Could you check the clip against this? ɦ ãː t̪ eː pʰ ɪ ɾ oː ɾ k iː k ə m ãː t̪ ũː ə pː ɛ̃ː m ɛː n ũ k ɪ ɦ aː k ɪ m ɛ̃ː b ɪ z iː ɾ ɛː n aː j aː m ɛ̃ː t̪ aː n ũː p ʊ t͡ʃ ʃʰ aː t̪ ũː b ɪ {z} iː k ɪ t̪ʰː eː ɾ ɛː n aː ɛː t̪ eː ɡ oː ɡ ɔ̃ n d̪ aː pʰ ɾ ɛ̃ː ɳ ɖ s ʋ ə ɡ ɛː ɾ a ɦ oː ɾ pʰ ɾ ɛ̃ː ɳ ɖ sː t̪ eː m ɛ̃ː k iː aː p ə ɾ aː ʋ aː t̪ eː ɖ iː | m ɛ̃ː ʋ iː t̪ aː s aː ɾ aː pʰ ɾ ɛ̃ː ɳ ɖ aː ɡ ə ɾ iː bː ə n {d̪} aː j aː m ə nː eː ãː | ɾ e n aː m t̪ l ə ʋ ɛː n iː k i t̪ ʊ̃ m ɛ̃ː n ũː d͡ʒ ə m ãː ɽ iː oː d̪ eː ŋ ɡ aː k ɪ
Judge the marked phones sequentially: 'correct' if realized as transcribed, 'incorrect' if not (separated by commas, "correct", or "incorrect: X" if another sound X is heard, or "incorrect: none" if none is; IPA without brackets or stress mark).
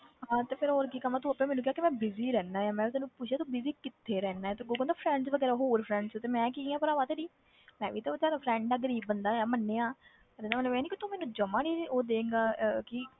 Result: correct, correct